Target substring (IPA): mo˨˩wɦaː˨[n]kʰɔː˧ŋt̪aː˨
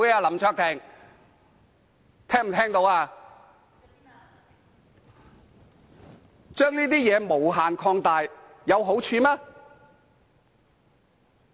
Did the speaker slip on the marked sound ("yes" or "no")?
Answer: no